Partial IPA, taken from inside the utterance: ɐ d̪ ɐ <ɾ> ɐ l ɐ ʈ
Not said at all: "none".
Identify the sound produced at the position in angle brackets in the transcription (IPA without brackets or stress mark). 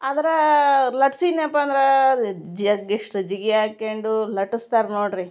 ɾ